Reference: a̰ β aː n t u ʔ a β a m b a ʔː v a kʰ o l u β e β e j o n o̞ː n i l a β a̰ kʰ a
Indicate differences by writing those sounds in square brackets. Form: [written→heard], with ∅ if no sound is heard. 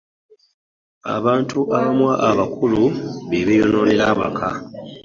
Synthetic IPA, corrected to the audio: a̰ β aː n t u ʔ a β a m [b→w] a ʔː [v→β] a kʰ [o→u] l u β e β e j o n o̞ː n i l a β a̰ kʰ a